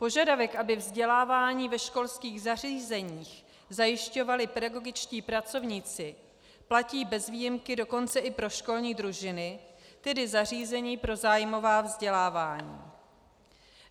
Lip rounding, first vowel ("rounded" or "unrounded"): rounded